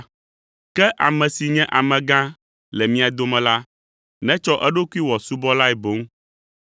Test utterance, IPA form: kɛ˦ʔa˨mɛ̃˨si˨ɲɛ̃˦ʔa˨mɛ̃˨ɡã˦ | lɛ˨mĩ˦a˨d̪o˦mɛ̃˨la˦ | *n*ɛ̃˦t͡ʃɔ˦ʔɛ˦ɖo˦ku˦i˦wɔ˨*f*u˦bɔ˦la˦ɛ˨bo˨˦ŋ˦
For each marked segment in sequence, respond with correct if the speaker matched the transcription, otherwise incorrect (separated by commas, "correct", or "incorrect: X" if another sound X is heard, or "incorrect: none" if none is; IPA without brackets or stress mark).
correct, incorrect: s